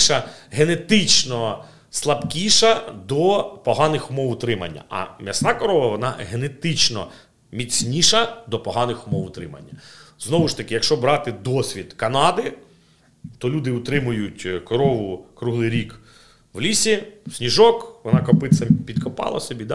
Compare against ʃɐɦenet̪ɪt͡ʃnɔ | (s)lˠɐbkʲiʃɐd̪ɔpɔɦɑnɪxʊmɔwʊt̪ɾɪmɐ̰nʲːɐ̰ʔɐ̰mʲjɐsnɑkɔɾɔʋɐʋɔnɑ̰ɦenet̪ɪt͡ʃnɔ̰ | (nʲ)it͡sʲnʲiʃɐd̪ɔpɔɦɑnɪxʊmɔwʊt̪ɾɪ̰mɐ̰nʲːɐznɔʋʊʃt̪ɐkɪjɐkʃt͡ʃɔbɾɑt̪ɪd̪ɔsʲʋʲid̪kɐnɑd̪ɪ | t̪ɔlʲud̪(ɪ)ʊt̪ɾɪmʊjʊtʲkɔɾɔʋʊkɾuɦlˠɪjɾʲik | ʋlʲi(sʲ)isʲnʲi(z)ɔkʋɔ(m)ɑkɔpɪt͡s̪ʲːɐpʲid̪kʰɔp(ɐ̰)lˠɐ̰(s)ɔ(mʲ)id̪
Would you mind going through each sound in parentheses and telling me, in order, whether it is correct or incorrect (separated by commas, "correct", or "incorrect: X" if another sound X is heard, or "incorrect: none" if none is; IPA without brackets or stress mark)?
correct, incorrect: mʲ, correct, correct, incorrect: ʒ, incorrect: n, incorrect: ɑ̰, correct, incorrect: bʲ